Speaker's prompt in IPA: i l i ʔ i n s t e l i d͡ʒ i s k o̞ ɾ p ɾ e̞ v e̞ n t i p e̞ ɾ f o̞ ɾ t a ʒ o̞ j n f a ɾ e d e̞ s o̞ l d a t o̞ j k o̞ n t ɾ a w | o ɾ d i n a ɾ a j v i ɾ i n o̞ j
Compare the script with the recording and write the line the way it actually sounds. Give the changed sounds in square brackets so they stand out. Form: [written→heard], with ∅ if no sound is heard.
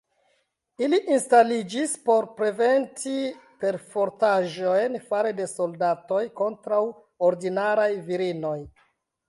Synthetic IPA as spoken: i l i ʔ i n s t [e→a] l i d͡ʒ i s [k→p] o̞ ɾ p ɾ e̞ v e̞ n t i p e̞ ɾ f o̞ ɾ t a ʒ o̞ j n f a ɾ e d e̞ s o̞ l d a t o̞ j k o̞ n t ɾ a w | o ɾ d i n a ɾ a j v i ɾ i n o̞ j